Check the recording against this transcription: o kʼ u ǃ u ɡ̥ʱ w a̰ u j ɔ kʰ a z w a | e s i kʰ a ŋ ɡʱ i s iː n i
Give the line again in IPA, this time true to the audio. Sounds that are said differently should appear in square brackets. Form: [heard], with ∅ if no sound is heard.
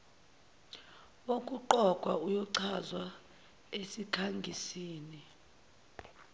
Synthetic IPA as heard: o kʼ u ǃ [ɔ] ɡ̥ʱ w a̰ u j ɔ [ǀʰ] a z w a | e s i kʰ a ŋ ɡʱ i s iː n i